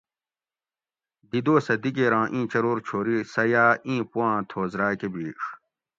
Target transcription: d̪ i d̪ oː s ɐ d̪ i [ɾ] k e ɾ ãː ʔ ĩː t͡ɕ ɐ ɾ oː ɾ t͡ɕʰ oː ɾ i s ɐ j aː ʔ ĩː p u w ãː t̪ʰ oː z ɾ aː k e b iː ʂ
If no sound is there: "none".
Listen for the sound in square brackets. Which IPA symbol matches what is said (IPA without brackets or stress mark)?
none